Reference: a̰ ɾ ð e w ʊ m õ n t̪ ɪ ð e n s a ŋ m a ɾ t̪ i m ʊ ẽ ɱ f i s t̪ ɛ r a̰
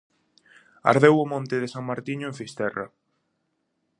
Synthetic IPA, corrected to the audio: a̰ ɾ ð e w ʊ m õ n t̪ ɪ ð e s a ŋ m a ɾ t̪ i ɲ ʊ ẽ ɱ f i s t̪ ɛ r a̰